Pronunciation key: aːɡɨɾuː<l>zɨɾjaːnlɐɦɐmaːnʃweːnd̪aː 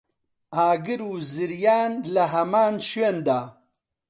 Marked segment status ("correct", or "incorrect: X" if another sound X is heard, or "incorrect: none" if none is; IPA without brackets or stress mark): incorrect: none